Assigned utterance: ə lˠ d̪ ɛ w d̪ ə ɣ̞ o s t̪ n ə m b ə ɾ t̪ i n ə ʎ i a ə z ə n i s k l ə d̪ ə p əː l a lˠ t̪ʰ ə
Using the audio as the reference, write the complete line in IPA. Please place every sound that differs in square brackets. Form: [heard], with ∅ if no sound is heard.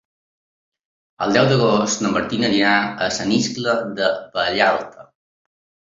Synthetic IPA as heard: ə lˠ d̪ ɛ w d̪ ə ɣ̞ o s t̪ n ə m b ə ɾ t̪ i n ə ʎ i a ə [s] ə n i s k l ə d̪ ə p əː [ʎ] a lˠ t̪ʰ ə